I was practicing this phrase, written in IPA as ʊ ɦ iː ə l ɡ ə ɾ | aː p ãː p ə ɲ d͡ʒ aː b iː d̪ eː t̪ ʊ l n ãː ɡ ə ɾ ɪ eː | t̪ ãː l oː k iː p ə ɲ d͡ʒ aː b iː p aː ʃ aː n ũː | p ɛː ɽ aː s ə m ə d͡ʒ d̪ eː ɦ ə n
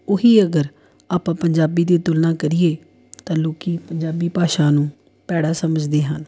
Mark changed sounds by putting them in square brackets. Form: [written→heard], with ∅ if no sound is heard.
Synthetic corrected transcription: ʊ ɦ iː ə [l→∅] ɡ ə ɾ | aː p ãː p ə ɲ d͡ʒ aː b iː d̪ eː t̪ ʊ l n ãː [ɡ→k] ə ɾ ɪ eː | t̪ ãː l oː k iː p ə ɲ d͡ʒ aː b iː p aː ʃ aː n ũː | p ɛː ɽ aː s ə m ə d͡ʒ d̪ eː ɦ ə n